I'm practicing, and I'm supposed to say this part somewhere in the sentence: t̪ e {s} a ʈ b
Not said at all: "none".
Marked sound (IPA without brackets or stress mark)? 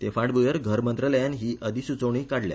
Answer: f